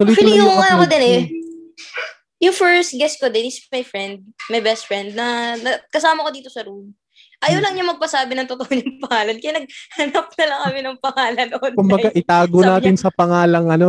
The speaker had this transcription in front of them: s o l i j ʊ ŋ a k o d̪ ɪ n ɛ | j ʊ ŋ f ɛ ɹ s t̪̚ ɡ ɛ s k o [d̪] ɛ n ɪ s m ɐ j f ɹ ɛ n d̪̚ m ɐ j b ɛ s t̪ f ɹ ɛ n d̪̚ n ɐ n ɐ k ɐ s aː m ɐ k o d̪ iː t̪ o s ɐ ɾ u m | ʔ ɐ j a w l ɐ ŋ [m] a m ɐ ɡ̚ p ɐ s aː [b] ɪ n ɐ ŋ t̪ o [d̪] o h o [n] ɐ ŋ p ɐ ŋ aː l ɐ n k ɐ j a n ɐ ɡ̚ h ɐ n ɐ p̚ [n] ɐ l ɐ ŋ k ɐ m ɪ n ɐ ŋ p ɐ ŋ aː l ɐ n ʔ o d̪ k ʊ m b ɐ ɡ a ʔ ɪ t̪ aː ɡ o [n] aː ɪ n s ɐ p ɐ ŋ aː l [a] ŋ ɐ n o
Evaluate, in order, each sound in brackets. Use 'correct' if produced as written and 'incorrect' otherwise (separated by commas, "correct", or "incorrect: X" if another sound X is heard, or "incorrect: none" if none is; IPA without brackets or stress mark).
correct, incorrect: ɲ, correct, incorrect: t̪, incorrect: ɲ, correct, correct, incorrect: ɐ